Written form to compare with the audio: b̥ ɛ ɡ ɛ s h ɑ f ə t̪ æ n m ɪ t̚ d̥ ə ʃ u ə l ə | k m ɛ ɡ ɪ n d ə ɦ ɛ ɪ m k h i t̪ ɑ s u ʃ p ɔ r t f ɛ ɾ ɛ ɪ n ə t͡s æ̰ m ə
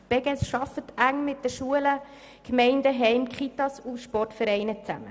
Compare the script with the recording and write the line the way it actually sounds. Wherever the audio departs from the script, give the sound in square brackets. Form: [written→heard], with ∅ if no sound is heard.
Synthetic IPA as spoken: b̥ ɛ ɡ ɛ s [h→ʃ] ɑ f ə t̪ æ [n→ŋ] m ɪ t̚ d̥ ə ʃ u ə l ə | k m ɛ [ɡ→∅] ɪ n d ə ɦ ɛ ɪ m k [h→χ] i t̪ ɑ s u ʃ p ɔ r t f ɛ ɾ ɛ ɪ n ə t͡s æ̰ m ə